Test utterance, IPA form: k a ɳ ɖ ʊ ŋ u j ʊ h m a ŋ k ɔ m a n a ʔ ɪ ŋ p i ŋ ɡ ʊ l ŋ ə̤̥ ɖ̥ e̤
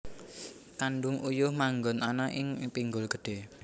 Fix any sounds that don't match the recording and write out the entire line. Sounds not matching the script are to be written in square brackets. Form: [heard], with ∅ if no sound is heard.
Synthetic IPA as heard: k a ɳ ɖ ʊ ŋ u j ʊ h m a ŋ [ɡ] ɔ [n] a n a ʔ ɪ ŋ p i ŋ ɡ ʊ l [ɡ] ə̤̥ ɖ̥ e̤